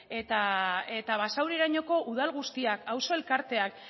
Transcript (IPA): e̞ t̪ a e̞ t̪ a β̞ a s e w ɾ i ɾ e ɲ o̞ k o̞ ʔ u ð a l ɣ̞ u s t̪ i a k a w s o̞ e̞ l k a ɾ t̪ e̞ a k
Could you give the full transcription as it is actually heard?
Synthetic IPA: e̞ t̪ a e̞ t̪ a β̞ a s a w ɾ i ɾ a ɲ o̞ k o̞ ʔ u ð a l ɣ̞ u s t̪ i a k a w s o̞ e̞ l k a ɾ t̪ e̞ a k

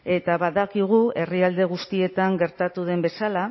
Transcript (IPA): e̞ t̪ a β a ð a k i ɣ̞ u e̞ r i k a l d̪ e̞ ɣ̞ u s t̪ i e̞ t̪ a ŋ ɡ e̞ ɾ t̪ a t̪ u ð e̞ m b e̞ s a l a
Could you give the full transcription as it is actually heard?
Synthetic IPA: e̞ t̪ a β a ð a k i ɣ̞ u e̞ r i a l d̪ e̞ ɣ̞ u s t̪ i e̞ t̪ a ŋ ɡ e̞ ɾ t̪ a t̪ u ð e̞ m b e̞ s a l a

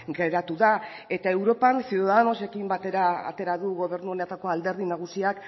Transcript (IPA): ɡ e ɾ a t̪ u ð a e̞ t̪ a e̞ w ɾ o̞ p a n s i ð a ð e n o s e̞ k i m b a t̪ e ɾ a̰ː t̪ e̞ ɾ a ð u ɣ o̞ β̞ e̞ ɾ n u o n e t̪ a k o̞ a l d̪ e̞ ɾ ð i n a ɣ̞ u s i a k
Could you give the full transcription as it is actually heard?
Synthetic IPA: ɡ e ɾ a t̪ u ð a e̞ t̪ a e̞ w ɾ o̞ p a n s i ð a ð a n o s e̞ k i m b a t̪ e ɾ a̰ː t̪ e̞ ɾ a ð u ɣ o̞ β̞ e̞ ɾ n u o n e t̪ a k o̞ a l d̪ e̞ ɾ ð i n a ɣ̞ u s i a k

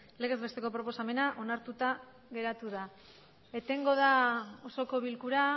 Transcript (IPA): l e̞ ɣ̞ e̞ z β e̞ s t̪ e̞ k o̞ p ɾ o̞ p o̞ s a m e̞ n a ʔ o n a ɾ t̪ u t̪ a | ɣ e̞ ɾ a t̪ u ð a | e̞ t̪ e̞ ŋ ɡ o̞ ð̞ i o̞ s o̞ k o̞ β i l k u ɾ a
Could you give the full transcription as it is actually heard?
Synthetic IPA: l e̞ ɣ̞ e̞ z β e̞ s t̪ e̞ k o̞ p ɾ o̞ p o̞ s a m e̞ n a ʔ o n a ɾ t̪ u t̪ a | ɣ e̞ ɾ a t̪ u ð a | e̞ t̪ e̞ ŋ ɡ o̞ ð̞ a o̞ s o̞ k o̞ β i l k u ɾ a

